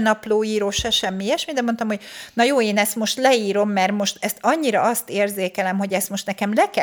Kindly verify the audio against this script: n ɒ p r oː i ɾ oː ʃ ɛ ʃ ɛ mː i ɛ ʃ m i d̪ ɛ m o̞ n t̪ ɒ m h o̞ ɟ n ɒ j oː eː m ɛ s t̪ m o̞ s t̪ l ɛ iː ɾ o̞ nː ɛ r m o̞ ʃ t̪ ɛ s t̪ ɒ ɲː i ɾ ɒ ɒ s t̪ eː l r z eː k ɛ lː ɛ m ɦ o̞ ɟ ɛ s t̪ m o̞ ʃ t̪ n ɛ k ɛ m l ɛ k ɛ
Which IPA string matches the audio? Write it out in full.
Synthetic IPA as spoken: n ɒ p l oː iː ɾ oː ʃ ɛ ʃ ɛ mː i ɛ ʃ m i d̪ ɛ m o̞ n t̪ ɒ m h o̞ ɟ n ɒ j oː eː n ɛ s t̪ m o̞ ʃ t̪ l ɛ iː ɾ o̞ mː ɛ r m o̞ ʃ t̪ ɛ s t̪ ɒ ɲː i ɾ ɒ ɒ s t̪ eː r z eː k ɛ l ɛ m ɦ o̞ ɟ ɛ s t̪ m o̞ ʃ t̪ n ɛ k ɛ m l ɛ k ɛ